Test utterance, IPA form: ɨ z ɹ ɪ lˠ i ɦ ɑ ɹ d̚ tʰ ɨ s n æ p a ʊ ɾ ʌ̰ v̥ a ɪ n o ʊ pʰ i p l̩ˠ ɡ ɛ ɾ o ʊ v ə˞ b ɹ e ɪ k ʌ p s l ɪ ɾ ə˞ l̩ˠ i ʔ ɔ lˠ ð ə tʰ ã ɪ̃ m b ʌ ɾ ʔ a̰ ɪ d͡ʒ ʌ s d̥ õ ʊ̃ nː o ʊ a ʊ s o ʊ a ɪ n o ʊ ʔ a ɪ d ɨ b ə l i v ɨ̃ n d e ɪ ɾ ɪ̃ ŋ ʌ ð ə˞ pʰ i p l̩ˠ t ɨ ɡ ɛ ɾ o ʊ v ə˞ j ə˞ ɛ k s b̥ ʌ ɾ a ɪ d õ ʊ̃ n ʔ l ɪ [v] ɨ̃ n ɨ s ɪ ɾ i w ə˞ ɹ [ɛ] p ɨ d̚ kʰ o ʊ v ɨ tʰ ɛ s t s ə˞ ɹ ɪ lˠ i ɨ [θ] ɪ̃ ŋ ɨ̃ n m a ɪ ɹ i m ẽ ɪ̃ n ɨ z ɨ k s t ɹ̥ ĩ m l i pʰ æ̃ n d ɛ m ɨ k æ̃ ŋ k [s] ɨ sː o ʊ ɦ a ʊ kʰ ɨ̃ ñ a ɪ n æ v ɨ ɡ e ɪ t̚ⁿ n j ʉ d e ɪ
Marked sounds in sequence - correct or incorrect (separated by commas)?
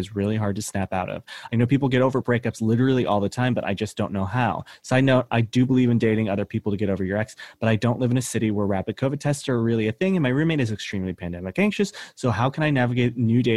correct, incorrect, correct, incorrect